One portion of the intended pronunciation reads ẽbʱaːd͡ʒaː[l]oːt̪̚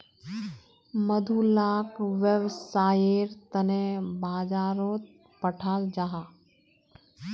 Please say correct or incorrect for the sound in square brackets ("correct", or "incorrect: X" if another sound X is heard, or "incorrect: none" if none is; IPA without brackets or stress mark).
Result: incorrect: ɾ